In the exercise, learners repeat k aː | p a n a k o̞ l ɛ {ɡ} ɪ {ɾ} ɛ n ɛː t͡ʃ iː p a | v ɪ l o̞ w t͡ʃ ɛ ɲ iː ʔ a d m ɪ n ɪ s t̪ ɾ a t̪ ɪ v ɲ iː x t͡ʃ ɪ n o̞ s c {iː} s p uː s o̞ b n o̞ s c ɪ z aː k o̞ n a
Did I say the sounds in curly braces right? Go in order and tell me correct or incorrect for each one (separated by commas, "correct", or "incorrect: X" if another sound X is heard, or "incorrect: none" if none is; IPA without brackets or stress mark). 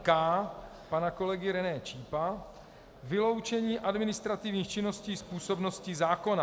correct, correct, correct